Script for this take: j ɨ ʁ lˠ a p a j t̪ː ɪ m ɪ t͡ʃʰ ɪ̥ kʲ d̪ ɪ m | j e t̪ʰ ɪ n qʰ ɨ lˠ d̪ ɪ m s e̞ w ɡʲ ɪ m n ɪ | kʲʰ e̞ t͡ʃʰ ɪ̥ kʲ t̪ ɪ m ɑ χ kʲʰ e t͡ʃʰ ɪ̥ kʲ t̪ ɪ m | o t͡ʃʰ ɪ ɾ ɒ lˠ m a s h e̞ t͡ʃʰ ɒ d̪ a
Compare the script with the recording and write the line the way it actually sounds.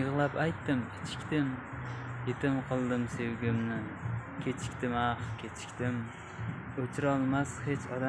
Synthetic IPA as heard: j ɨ ʁ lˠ a p a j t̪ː ɪ m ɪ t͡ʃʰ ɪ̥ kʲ t̪ ɪ m | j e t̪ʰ ɪ m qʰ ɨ lˠ d̪ ɪ m s e̞ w ɡʲ ɪ m n ɪ | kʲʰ e̞ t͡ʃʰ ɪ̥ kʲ t̪ ɪ m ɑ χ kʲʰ e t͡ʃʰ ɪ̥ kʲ t̪ ɪ m | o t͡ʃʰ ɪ ɾ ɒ lˠ m a s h e̞ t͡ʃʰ ɒ d̪ a